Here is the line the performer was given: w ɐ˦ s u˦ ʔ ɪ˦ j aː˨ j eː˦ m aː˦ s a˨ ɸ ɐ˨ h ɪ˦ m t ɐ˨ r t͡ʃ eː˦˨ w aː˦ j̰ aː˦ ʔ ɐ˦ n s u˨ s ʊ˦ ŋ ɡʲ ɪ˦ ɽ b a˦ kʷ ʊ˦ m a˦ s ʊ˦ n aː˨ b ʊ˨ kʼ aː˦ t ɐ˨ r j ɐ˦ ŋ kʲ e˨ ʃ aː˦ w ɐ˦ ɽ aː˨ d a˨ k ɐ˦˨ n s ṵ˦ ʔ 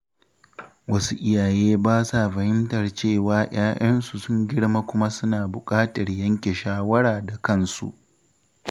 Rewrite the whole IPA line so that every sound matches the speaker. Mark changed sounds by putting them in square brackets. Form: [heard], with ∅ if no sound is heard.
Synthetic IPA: w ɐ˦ s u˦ ʔ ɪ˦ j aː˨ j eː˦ [b] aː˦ s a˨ ɸ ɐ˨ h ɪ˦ m t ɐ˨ r t͡ʃ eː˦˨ w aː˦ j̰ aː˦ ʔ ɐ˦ n s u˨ s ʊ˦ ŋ ɡʲ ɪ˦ ɽ [m] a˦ kʷ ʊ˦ m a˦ s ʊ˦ n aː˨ b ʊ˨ kʼ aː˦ t ɐ˨ r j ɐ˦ ŋ kʲ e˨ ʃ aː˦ w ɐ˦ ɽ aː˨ d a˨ k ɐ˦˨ n s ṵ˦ ʔ